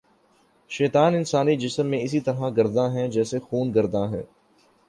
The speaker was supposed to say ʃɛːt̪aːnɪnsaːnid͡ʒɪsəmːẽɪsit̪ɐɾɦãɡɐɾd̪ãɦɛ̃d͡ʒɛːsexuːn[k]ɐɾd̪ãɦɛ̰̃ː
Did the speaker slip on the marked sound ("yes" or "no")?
yes